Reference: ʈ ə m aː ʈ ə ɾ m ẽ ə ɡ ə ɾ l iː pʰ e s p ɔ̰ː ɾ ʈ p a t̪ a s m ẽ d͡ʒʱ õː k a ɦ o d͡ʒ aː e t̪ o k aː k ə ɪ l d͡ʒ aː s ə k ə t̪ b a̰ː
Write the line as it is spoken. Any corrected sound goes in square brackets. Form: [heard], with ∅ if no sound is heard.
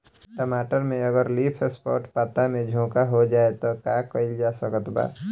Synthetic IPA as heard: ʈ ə m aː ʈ ə ɾ m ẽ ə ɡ ə ɾ l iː pʰ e s p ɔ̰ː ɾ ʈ p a t̪ a [∅] m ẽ d͡ʒʱ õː k a ɦ o d͡ʒ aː e t̪ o k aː k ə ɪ l d͡ʒ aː s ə k ə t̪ b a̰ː